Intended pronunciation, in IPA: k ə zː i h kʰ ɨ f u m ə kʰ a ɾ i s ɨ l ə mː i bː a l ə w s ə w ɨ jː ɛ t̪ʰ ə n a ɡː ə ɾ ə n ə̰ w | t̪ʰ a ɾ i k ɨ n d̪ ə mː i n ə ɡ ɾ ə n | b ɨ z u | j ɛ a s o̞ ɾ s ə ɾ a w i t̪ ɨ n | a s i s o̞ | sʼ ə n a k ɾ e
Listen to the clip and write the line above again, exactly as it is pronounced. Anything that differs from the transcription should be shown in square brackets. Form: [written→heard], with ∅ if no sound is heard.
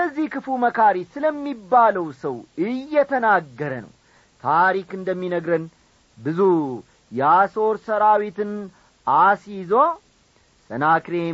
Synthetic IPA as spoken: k ə zː i h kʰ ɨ f u m ə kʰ a ɾ i s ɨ l ə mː i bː a l ə w s ə w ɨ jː ɛ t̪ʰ ə n a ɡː ə ɾ ə n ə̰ w | t̪ʰ a ɾ i k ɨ n d̪ ə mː i n ə ɡ ɾ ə n | b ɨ z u | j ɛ a s o̞ ɾ s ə ɾ a w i t̪ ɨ n | a s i [s→z] o̞ | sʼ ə n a k ɾ e